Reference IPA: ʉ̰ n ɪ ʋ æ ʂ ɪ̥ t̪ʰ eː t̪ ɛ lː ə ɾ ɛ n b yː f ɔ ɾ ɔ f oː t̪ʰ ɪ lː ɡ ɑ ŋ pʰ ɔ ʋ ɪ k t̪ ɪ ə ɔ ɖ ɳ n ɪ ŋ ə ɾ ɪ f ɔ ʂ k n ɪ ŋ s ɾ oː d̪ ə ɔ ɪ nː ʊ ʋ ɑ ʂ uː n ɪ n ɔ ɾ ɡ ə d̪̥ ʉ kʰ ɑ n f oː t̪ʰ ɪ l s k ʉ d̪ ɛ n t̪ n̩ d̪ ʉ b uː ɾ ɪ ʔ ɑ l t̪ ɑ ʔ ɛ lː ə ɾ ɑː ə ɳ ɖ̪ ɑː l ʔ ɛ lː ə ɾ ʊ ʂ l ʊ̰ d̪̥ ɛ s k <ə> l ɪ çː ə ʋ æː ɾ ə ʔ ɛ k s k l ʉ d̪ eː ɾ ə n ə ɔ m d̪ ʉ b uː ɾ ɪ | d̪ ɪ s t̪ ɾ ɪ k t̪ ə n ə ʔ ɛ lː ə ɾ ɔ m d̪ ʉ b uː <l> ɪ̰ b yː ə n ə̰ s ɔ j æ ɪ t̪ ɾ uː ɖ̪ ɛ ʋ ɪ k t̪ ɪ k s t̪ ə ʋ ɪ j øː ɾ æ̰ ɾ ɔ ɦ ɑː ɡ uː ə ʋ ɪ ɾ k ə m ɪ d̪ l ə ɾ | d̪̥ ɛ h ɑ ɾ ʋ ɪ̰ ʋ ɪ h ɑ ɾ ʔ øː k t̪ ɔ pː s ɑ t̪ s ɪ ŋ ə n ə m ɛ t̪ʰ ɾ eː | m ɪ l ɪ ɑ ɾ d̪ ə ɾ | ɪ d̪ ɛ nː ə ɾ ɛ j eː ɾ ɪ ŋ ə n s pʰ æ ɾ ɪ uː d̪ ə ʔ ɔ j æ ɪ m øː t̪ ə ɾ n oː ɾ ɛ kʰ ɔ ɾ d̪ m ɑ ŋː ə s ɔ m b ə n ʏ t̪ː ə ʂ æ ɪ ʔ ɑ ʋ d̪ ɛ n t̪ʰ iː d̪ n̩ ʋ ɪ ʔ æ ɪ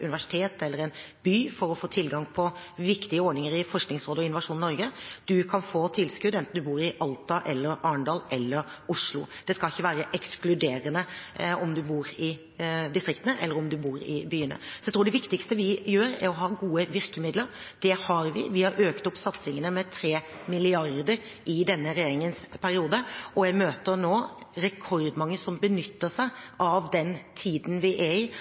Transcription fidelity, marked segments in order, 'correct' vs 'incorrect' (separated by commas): incorrect, incorrect